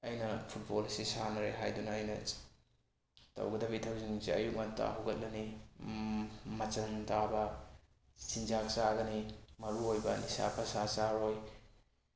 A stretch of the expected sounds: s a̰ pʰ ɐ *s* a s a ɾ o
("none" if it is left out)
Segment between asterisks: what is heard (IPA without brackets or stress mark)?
s